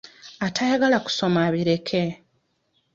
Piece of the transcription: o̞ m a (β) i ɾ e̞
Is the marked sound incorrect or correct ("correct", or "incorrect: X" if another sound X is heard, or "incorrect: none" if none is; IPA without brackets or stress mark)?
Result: correct